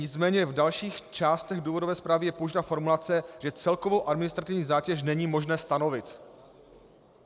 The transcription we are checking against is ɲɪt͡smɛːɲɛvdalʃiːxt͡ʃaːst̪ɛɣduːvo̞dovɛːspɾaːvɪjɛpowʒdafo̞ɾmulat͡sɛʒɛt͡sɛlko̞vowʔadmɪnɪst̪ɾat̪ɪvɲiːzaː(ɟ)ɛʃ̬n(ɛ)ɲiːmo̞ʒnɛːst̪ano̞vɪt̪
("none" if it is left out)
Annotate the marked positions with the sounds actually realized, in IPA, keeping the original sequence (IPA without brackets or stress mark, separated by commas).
c, ɛ